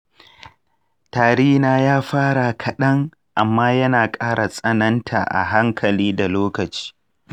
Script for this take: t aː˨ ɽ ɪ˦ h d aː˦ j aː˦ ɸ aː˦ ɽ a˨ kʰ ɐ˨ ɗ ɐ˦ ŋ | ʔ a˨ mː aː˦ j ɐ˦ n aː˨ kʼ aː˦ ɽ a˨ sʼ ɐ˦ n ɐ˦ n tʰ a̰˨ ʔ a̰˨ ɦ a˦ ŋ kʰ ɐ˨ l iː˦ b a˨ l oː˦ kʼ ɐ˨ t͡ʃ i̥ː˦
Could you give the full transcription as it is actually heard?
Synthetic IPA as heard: t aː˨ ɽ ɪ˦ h n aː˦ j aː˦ ɸ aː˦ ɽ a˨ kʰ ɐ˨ ɗ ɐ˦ ŋ | ʔ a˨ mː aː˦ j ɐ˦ n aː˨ kʼ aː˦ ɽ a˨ sʼ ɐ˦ n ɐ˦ n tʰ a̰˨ ʔ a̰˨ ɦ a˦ ŋ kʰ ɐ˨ l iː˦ d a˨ l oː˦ k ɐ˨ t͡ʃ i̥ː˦